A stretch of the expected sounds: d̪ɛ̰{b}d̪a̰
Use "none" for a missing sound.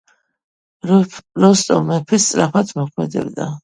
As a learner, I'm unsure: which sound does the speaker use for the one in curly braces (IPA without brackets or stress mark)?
b